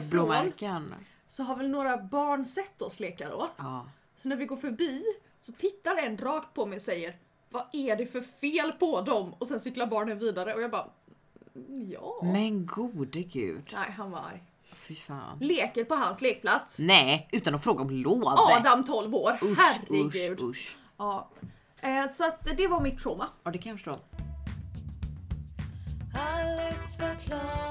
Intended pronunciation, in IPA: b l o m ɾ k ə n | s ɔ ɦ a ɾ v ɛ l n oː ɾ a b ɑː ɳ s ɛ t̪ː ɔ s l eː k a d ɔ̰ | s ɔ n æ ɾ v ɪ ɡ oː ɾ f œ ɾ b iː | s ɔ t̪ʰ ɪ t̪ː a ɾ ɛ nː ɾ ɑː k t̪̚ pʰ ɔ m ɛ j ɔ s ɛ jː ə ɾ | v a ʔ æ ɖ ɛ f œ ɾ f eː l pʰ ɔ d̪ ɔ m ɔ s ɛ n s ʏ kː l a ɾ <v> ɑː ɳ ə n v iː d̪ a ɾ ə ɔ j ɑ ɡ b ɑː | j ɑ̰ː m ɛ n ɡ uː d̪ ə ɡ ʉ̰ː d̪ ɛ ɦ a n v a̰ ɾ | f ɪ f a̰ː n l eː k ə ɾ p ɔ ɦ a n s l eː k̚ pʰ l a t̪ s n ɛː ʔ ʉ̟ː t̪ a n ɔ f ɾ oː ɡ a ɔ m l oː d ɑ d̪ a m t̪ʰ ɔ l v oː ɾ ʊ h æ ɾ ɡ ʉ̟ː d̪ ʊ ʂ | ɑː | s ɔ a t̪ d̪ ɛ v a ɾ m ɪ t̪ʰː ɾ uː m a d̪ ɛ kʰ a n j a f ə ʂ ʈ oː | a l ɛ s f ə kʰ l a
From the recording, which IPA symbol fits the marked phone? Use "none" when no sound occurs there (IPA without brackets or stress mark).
b